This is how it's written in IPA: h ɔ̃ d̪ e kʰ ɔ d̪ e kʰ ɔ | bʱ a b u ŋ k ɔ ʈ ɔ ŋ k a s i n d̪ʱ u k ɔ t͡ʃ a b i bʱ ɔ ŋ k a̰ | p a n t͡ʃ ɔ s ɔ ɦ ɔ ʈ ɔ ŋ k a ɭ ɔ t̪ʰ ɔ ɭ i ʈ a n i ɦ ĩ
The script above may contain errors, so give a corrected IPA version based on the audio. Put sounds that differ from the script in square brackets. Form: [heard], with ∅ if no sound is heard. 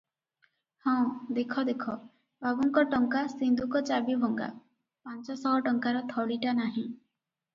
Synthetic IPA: h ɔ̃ d̪ e kʰ ɔ d̪ e kʰ ɔ | bʱ a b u ŋ k ɔ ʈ ɔ ŋ k a s i n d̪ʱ u k ɔ t͡ʃ a b i bʱ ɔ ŋ [ɡ] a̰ | p a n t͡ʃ ɔ s ɔ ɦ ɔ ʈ ɔ ŋ k a [ɾ] ɔ t̪ʰ ɔ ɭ i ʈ a n [a] ɦ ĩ